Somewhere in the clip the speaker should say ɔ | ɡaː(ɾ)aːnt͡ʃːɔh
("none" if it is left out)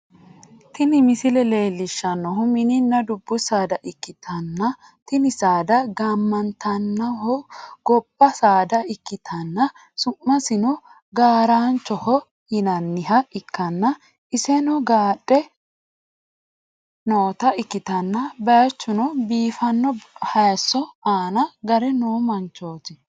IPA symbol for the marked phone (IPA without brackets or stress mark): ɾ